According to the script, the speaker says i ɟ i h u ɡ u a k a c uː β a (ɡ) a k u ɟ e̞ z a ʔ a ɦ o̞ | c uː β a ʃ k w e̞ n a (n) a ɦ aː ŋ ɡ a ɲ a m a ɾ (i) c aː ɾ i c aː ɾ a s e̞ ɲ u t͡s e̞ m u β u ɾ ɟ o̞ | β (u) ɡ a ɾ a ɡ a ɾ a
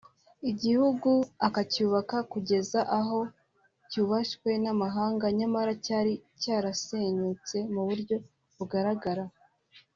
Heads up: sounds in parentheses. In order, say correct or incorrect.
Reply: incorrect: k, incorrect: m, incorrect: a, correct

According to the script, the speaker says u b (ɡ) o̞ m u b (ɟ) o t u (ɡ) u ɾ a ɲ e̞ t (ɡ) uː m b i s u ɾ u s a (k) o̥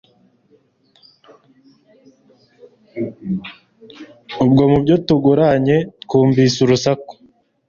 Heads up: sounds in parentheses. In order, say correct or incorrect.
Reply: correct, correct, correct, incorrect: k, correct

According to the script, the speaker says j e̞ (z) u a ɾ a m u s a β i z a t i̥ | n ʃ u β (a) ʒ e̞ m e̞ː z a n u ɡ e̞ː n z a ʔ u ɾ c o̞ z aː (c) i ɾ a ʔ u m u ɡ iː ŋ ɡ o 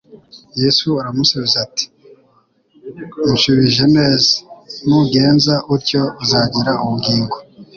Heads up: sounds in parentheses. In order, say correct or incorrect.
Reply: incorrect: s, incorrect: i, incorrect: ɟ

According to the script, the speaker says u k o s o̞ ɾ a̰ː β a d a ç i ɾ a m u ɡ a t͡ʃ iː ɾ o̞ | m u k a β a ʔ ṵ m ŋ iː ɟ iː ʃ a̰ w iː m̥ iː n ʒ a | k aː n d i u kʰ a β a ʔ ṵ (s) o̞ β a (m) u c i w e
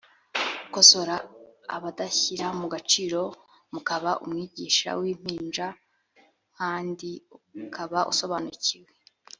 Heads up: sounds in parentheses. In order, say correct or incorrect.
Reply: correct, incorrect: n

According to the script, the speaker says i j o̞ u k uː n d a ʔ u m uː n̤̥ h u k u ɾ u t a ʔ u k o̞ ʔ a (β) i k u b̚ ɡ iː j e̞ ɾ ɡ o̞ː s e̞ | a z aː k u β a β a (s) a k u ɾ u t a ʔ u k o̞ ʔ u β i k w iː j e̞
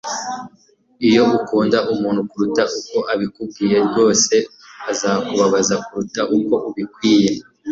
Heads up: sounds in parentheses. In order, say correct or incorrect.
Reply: correct, incorrect: z

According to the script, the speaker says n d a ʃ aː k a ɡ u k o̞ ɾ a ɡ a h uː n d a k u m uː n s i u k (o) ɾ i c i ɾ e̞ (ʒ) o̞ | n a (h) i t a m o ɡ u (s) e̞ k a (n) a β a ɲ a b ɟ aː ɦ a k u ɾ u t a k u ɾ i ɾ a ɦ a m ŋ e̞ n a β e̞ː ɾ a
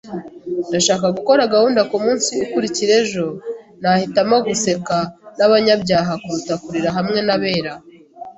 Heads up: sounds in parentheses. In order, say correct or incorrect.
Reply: incorrect: u, correct, correct, correct, correct

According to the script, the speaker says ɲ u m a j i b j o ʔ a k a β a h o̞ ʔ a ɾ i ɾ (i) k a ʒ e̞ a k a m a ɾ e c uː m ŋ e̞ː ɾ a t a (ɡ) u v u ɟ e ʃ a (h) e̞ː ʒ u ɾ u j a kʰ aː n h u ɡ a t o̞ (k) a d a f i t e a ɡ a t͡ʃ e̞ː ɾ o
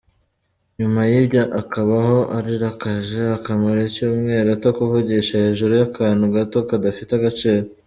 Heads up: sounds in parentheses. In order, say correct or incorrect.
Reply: incorrect: a, incorrect: k, correct, correct

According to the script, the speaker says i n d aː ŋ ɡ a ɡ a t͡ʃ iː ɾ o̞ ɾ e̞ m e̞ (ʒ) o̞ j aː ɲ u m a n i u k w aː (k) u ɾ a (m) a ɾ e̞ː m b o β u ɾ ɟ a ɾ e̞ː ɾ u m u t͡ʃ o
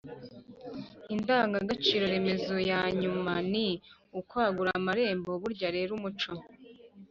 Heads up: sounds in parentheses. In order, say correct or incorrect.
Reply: incorrect: z, incorrect: ɡ, correct

